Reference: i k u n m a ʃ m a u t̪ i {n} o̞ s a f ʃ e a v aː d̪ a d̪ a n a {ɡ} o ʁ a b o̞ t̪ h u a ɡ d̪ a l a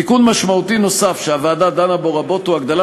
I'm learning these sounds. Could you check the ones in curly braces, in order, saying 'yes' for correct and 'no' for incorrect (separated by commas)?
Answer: yes, no